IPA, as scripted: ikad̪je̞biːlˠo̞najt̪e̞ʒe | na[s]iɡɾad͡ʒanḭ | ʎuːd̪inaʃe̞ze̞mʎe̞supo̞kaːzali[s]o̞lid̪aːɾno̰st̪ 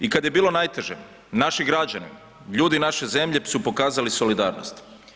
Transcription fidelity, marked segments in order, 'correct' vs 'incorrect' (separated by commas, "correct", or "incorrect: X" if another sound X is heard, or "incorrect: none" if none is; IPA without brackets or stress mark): incorrect: ʃ, correct